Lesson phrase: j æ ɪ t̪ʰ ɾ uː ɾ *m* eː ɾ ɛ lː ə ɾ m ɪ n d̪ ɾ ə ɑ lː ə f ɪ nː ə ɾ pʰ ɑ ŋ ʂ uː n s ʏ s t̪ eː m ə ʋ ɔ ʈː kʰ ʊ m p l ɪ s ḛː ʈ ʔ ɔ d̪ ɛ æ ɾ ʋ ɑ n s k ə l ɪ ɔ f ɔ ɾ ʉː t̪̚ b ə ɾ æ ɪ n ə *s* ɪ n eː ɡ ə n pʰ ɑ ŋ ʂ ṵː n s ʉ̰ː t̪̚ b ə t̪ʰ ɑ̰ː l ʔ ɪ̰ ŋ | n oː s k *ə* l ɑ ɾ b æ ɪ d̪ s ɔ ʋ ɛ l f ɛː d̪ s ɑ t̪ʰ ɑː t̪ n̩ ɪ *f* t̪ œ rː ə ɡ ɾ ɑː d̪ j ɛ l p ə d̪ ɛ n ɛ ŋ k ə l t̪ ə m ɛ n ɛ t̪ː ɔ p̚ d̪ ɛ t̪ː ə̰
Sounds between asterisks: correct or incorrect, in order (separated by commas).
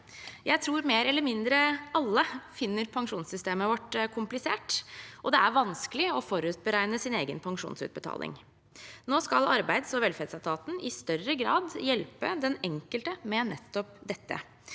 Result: correct, correct, incorrect, incorrect